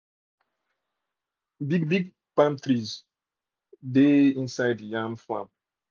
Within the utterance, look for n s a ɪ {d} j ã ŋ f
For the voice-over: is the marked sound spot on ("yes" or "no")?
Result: yes